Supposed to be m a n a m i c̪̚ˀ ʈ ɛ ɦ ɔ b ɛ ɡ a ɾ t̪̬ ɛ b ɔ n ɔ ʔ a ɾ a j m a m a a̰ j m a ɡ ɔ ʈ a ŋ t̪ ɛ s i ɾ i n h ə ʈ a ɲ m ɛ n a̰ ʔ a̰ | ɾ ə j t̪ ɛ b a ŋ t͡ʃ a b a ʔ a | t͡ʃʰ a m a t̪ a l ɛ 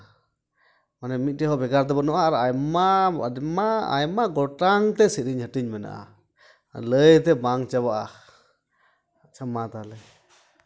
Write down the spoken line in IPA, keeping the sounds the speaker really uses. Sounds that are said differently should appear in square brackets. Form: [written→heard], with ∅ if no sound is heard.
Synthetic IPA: m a n [a→ɛ] m i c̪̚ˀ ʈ ɛ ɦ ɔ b ɛ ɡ a ɾ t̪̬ ɛ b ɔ n ɔ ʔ a ɾ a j m a m a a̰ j m a ɡ ɔ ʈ a ŋ t̪ ɛ s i ɾ i [n→ɲ] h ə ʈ [a→i] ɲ m ɛ n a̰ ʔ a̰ | [ɾ→l] ə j t̪ ɛ b a ŋ t͡ʃ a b a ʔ a | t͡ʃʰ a m a t̪ a l ɛ